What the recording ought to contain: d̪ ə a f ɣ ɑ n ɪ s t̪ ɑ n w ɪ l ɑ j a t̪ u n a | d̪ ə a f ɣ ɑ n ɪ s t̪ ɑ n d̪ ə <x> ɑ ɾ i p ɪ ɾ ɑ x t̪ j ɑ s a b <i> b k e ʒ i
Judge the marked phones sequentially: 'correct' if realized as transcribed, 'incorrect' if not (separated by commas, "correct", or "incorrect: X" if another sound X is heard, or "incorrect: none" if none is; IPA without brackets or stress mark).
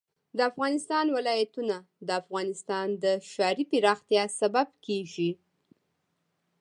incorrect: ʃ, incorrect: a